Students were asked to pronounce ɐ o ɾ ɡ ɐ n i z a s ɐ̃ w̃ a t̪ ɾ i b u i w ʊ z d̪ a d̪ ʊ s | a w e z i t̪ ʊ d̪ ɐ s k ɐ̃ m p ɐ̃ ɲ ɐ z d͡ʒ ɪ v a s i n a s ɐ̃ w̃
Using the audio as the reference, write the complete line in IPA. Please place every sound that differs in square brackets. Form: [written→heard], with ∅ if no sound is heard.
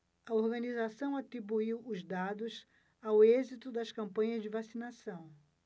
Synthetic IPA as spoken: ɐ o ɾ ɡ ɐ n i z a s ɐ̃ w̃ a t̪ ɾ i b u i w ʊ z d̪ a d̪ ʊ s | a w e z i t̪ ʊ d̪ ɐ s k ɐ̃ m p ɐ̃ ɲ ɐ z d͡ʒ ɪ v a s i n a s ɐ̃ w̃